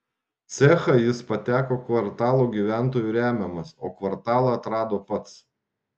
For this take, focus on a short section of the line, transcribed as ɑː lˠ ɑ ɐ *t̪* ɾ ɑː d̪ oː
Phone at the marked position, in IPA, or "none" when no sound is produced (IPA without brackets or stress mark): t̪